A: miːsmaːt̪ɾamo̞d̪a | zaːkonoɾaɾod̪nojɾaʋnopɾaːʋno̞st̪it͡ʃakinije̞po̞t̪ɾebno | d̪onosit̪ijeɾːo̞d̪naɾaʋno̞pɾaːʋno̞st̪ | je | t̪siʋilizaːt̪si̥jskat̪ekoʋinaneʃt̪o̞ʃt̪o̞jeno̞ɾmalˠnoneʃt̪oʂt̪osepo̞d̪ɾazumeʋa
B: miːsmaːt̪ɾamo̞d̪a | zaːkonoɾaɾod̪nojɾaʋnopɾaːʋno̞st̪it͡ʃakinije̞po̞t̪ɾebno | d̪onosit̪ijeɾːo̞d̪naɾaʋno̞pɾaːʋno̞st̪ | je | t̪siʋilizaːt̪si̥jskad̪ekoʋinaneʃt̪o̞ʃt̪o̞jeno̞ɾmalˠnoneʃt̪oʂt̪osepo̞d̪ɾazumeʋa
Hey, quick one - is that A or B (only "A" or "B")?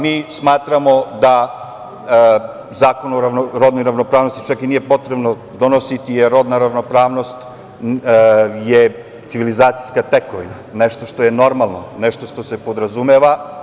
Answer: A